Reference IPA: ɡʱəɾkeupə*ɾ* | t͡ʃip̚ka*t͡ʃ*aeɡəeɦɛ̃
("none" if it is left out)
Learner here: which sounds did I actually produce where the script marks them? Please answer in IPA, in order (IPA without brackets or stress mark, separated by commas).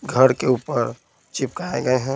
ɾ, none